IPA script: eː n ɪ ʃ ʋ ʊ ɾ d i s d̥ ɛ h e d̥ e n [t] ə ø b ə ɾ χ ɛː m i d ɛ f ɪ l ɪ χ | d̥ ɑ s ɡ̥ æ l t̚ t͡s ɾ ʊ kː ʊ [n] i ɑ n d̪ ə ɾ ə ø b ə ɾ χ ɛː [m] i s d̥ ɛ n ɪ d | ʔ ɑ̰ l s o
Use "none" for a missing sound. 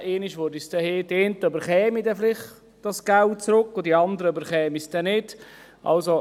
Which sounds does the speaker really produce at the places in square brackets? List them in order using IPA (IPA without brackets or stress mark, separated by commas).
t, d, m